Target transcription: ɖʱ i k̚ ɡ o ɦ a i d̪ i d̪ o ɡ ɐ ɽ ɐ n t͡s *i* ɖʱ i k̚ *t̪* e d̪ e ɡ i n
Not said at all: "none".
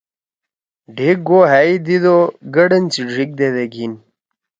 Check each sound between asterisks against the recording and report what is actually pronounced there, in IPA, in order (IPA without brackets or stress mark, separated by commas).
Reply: i, d̪